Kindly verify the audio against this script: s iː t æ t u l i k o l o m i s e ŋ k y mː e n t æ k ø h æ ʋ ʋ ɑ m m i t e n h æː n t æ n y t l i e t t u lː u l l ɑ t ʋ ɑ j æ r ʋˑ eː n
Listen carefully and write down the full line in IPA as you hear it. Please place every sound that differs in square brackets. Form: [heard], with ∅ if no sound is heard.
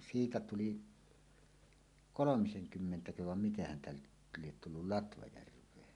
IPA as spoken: s iː t æ t u l i k o l o m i s e ŋ k y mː e n t æ k ø h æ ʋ ʋ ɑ m m i t e n h [æ] n t æ n y t l i e t t u lː u l l ɑ t ʋ ɑ j æ r ʋˑ eː n